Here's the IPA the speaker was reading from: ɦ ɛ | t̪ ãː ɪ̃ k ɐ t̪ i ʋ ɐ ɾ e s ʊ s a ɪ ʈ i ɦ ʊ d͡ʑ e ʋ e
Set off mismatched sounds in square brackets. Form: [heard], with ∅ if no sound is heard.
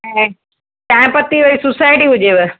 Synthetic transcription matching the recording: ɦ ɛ | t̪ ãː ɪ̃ [p] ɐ t̪ i ʋ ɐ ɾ [i] s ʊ s a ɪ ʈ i ɦ ʊ d͡ʑ e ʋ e

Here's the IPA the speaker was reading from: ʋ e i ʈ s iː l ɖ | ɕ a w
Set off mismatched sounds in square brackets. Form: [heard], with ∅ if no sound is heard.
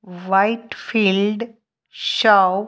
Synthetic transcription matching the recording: ʋ [a] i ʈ [f] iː l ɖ | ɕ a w

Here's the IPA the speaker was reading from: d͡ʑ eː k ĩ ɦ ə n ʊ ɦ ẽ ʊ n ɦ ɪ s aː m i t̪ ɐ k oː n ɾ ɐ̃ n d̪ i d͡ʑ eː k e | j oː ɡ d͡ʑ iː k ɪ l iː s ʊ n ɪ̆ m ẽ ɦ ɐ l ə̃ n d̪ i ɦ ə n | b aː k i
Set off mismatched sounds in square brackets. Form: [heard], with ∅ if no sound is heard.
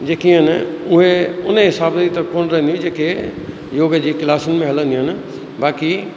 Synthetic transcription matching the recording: d͡ʑ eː k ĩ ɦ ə n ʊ ɦ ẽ ʊ n ɦ ɪ s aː [b] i t̪ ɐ k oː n ɾ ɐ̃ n d̪ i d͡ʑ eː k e | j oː ɡ d͡ʑ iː k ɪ l [aː] s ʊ n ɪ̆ m ẽ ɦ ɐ l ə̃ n d̪ i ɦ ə n | b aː k i

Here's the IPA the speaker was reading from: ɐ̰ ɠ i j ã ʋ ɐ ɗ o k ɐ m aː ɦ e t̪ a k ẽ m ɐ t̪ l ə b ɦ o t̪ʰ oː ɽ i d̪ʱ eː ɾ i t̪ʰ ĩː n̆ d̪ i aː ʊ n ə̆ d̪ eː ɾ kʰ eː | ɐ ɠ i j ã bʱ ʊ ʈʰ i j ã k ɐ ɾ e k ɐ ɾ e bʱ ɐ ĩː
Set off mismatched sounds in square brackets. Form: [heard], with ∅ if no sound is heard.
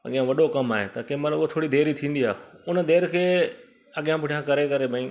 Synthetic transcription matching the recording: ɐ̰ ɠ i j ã ʋ ɐ ɗ o k ɐ m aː ɦ e t̪ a k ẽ m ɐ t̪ l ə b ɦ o t̪ʰ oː ɽ i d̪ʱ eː ɾ i t̪ʰ ĩː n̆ d̪ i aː ʊ n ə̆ d̪ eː ɾ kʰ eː | ɐ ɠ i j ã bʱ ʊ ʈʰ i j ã k ɐ ɾ e k ɐ ɾ e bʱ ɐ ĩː

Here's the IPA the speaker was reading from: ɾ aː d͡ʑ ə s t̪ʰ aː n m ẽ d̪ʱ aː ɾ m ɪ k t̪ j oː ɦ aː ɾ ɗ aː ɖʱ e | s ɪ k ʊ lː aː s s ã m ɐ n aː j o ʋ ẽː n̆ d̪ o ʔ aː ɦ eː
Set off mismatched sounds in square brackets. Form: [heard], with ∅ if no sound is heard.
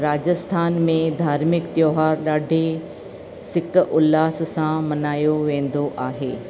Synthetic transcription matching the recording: ɾ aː d͡ʑ ə s t̪ʰ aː n m ẽ d̪ʱ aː ɾ m ɪ k t̪ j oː ɦ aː ɾ ɗ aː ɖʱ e | s ɪ k ʊ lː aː s s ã m ɐ n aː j o ʋ ẽː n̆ d̪ o ʔ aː ɦ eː

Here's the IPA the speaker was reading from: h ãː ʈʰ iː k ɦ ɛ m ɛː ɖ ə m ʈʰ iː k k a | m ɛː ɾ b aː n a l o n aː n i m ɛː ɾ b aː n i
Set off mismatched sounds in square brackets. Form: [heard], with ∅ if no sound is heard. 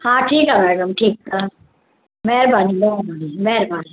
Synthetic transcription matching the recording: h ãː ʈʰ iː k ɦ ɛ m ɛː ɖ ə m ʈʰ iː k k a | m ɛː ɾ b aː n [i] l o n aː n i m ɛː ɾ b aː n i

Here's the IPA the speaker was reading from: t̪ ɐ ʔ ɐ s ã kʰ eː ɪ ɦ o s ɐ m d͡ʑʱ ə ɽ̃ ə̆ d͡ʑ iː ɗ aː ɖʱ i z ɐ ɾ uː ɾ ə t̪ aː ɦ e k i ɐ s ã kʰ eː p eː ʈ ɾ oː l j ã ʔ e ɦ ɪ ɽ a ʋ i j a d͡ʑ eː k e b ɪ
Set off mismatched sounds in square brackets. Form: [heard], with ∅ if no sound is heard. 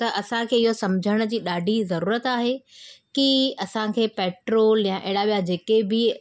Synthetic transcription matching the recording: t̪ ɐ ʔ ɐ s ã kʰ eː ɪ ɦ o s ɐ m d͡ʑʱ ə ɽ̃ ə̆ d͡ʑ iː ɗ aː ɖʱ i z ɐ ɾ uː ɾ ə t̪ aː ɦ e k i ɐ s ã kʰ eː p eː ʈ ɾ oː l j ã ʔ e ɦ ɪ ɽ a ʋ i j a d͡ʑ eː k e b ɪ

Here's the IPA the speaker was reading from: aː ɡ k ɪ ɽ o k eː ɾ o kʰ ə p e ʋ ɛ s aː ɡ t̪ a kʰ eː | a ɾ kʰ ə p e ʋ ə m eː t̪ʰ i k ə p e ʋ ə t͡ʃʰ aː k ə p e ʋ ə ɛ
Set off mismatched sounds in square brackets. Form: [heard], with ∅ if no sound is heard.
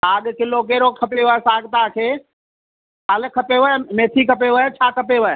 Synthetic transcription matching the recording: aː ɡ k ɪ [l] o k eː ɾ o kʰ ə p e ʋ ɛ s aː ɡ t̪ a kʰ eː | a [l] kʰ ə p e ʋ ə m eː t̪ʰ i k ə p e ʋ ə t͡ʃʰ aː k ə p e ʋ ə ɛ

